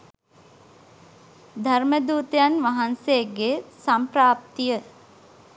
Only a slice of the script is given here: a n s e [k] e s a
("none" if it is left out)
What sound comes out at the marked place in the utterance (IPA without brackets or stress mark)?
ɡ